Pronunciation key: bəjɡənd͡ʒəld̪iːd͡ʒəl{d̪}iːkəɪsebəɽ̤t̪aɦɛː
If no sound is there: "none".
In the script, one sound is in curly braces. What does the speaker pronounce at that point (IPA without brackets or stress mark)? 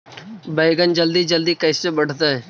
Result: d̪